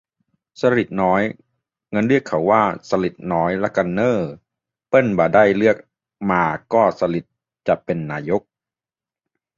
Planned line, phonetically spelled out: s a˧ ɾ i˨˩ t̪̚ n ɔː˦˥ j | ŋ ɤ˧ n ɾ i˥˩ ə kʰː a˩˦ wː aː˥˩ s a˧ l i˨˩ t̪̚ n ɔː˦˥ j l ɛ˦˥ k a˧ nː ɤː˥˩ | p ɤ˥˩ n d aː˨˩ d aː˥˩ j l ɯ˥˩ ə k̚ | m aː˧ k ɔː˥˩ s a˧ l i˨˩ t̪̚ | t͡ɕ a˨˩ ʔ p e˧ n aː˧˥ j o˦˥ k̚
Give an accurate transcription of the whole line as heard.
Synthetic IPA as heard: s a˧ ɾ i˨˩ t̪̚ n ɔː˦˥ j | ŋ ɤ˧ n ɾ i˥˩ ə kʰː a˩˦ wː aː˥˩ s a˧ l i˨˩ t̪̚ n ɔː˦˥ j l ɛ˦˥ k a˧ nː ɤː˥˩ | p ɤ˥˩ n b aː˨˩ d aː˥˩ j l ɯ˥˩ ə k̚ | m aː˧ k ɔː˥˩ s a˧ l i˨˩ t̪̚ | t͡ɕ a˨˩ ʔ p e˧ nː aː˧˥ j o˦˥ k̚

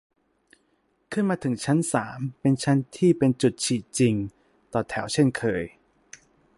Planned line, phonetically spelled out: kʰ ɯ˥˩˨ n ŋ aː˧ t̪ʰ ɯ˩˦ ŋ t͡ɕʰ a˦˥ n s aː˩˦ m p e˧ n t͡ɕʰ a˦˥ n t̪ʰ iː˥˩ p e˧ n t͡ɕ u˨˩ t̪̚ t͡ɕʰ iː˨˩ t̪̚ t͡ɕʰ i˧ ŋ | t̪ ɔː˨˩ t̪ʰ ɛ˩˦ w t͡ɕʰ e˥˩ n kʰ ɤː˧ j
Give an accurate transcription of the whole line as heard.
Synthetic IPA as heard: kʰ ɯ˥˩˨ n m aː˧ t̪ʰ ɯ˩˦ ŋ t͡ɕʰ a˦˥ n s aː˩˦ m p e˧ n t͡ɕʰ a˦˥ n t̪ʰ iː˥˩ p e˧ n t͡ɕ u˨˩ t̪̚ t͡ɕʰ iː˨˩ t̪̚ t͡ɕ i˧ ŋ | t̪ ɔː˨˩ t̪ʰ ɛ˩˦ w t͡ɕʰ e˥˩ n kʰ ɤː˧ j

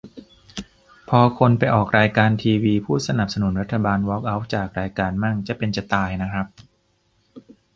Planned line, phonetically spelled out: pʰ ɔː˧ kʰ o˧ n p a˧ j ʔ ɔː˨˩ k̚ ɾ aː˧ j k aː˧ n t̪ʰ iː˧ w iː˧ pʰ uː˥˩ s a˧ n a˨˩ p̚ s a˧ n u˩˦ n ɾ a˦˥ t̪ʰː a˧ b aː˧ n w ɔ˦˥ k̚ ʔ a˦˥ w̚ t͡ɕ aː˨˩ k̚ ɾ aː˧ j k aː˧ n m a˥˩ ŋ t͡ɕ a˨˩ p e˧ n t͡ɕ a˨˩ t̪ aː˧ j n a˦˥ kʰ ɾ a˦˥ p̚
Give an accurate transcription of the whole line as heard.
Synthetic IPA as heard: pʰ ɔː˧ kʰ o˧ n p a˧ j ʔ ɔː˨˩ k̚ ɾ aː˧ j k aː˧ n t̪ʰ iː˧ w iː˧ pʰ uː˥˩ s a˧ n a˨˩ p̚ s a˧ n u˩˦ n ɾ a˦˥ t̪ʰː a˧ b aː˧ n w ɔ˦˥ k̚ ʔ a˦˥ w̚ t͡ɕ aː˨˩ k̚ ɾ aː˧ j k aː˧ n m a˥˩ ŋ t͡ɕ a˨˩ p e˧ n t͡ɕ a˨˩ t̪ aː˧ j n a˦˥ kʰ ɾ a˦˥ p̚

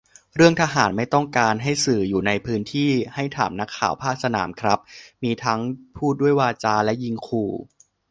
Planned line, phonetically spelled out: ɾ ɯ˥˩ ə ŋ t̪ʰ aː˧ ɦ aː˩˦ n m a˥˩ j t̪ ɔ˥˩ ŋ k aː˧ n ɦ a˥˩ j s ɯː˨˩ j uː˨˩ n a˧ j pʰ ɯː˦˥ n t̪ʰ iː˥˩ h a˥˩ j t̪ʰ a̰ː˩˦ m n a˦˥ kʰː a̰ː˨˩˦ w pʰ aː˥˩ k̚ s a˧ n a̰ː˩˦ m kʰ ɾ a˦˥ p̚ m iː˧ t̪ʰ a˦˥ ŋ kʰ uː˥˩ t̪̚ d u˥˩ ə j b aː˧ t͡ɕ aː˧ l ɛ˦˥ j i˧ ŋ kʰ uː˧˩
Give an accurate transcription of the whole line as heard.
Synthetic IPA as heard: ɾ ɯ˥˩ ə ŋ t̪ʰ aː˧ ɦ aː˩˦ n m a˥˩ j t̪ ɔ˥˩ ŋ k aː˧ n ɦ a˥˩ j s ɯː˨˩ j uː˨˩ n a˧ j pʰ ɯː˦˥ n t̪ʰ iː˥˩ h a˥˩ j t̪ʰ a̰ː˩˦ m n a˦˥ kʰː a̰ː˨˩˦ w pʰ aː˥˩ k̚ s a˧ n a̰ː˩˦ m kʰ ɾ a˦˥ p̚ m iː˧ t̪ʰ a˦˥ ŋ pʰ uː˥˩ t̪̚ d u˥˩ ə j w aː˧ t͡ɕ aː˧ l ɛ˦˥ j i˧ ŋ kʰ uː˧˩

